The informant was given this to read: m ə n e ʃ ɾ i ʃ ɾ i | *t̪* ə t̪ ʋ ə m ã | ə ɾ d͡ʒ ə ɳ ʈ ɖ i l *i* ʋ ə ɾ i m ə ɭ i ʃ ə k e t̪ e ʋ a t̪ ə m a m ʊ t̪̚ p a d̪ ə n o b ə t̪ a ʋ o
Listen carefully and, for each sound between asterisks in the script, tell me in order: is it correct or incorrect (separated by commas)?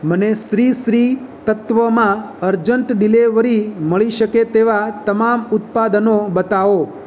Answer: correct, incorrect